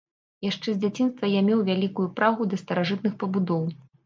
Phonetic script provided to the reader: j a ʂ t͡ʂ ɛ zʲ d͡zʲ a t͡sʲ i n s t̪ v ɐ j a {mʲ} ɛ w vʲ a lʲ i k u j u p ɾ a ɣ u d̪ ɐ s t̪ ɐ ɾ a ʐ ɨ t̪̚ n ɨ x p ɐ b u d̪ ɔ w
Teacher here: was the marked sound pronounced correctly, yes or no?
yes